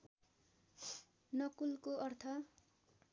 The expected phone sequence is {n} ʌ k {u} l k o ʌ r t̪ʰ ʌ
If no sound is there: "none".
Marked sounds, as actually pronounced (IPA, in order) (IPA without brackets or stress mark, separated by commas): n, u